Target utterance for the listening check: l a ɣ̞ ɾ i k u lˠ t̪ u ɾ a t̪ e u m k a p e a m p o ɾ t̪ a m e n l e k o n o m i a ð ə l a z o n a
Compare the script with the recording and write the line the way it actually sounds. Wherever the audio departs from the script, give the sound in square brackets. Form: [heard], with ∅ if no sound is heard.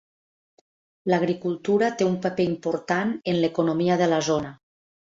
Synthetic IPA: l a ɣ̞ ɾ i k u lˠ t̪ u ɾ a t̪ e u m [p] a p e [i] m p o ɾ t̪ a [n] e n l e k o n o m i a ð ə l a z o n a